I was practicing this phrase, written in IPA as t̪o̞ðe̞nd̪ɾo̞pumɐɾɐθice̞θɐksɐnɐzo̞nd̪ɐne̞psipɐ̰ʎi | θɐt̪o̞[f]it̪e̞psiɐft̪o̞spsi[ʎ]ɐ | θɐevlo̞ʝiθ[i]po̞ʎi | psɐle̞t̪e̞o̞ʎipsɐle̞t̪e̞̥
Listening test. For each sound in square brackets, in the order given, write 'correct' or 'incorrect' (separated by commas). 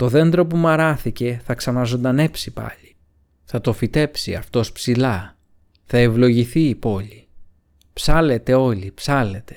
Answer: correct, incorrect, incorrect